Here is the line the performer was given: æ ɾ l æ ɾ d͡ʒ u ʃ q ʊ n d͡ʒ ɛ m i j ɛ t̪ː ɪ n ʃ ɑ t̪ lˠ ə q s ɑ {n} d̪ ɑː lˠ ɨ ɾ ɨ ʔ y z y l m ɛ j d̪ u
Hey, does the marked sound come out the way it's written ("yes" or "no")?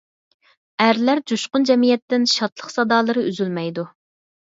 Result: no